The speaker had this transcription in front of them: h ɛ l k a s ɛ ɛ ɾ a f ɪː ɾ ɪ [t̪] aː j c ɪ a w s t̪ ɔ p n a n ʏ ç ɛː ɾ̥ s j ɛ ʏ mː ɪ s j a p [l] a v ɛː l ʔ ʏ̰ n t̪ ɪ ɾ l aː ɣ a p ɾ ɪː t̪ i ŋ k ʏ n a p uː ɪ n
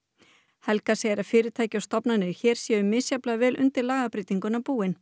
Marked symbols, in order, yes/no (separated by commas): no, yes